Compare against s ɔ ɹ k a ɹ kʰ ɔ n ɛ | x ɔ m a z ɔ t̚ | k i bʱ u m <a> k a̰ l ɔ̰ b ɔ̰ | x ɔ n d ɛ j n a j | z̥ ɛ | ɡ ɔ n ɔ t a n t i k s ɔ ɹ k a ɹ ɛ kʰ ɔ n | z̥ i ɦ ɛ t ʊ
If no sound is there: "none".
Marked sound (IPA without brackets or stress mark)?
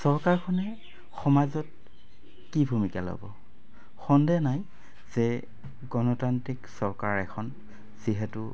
i